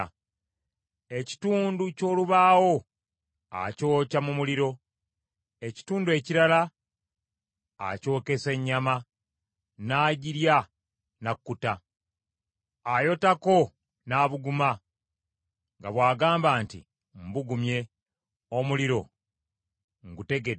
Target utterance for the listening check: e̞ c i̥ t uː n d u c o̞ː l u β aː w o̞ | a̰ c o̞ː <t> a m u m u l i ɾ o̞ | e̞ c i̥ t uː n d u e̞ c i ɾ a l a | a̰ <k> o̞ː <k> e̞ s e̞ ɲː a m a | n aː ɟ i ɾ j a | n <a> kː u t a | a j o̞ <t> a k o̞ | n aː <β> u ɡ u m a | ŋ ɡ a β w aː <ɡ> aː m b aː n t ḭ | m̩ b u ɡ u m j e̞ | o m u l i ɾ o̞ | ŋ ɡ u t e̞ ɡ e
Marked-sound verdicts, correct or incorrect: incorrect: c, incorrect: c, correct, correct, correct, correct, correct

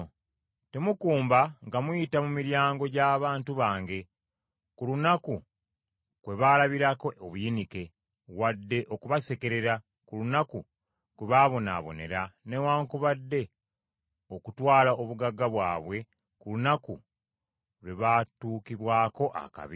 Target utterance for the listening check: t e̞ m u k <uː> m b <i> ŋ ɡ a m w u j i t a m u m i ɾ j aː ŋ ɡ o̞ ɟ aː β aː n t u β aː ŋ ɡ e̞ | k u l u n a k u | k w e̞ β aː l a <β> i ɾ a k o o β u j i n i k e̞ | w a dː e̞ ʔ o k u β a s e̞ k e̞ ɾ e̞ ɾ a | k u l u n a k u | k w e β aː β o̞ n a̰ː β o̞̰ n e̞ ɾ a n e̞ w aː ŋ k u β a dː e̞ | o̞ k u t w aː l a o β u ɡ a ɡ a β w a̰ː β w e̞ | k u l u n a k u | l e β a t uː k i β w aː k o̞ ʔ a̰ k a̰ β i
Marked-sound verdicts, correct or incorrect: correct, incorrect: a, correct

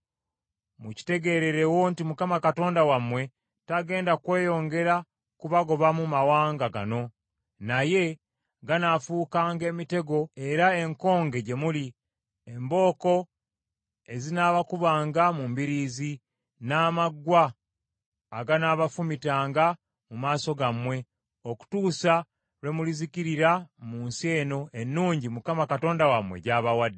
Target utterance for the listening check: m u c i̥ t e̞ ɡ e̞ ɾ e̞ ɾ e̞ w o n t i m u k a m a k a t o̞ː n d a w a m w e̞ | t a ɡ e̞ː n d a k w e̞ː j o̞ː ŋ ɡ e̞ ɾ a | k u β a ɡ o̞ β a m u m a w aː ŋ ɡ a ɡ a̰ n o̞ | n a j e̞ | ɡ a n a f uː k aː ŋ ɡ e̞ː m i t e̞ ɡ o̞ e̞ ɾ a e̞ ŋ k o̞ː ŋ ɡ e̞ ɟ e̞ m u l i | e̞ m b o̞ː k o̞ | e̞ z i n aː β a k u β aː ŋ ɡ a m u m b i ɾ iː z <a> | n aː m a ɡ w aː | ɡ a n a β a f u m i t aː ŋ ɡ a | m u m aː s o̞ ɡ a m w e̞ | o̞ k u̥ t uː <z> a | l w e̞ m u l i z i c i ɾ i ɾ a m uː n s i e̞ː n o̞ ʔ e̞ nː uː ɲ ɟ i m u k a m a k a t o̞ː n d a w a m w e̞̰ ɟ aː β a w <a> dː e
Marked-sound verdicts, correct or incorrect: incorrect: i, incorrect: s, correct

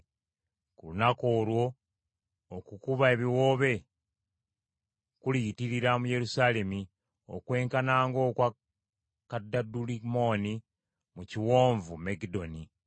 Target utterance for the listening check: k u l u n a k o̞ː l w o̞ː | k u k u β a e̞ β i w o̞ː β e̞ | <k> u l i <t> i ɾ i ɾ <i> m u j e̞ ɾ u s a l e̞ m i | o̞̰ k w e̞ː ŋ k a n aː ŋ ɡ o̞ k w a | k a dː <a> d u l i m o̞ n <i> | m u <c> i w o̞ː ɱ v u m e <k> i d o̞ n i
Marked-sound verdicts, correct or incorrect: correct, correct, incorrect: a, correct, correct, correct, incorrect: ɡ

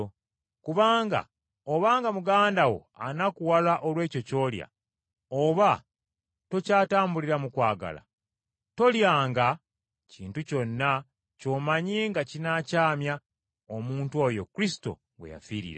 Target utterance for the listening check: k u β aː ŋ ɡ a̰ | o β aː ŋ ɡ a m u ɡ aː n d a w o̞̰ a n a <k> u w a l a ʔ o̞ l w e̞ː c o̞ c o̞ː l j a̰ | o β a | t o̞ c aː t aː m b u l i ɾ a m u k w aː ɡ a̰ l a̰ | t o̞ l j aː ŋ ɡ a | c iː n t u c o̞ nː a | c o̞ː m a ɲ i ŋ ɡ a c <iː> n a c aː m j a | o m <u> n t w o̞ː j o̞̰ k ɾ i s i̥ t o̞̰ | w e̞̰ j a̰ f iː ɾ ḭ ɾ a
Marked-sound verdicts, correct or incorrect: correct, incorrect: i, incorrect: uː

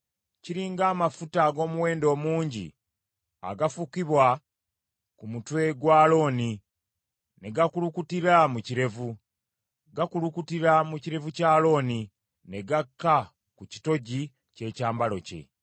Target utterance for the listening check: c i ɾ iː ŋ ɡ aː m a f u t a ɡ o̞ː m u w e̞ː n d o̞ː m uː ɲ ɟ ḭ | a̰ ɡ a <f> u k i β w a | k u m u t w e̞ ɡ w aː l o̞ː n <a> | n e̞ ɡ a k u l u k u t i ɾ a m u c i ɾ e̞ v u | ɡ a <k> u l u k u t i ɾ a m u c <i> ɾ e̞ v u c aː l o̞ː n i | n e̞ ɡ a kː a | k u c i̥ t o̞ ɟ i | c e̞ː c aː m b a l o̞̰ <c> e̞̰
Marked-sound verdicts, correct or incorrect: correct, incorrect: i, correct, correct, correct

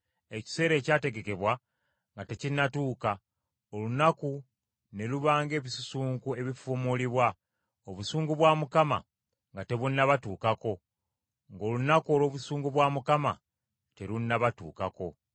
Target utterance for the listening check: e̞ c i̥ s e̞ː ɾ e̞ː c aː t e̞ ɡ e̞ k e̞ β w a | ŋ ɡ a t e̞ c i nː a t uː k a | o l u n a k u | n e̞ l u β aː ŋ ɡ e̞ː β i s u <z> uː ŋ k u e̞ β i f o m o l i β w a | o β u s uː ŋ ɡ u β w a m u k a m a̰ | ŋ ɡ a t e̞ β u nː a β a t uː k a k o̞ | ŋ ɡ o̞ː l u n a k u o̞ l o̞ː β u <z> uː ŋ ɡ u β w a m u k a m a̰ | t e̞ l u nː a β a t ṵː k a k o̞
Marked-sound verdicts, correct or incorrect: incorrect: s, incorrect: s

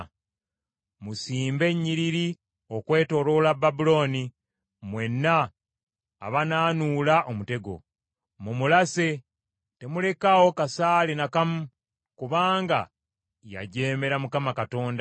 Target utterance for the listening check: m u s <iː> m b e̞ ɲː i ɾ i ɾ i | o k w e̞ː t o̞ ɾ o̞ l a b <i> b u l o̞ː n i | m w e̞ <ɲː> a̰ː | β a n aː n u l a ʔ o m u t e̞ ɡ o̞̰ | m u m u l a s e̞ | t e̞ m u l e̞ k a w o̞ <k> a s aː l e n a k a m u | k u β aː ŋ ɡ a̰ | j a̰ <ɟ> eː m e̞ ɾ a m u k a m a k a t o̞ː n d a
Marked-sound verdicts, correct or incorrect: correct, incorrect: a, incorrect: nː, correct, correct

